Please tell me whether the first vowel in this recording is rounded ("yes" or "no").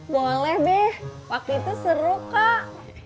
yes